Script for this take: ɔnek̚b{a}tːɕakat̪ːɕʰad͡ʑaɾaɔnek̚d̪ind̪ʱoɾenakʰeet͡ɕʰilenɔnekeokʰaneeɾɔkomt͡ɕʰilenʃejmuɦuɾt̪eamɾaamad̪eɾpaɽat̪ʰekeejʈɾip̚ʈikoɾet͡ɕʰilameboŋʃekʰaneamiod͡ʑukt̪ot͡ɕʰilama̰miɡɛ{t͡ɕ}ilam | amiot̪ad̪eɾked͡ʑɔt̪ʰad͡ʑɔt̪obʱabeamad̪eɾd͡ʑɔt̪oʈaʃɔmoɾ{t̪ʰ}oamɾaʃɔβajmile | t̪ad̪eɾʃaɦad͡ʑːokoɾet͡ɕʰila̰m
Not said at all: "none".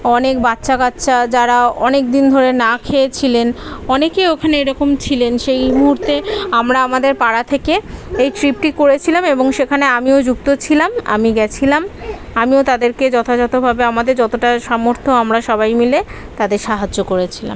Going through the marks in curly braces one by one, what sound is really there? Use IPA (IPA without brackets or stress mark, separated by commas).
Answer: a, t͡ɕʰ, t̪ʰ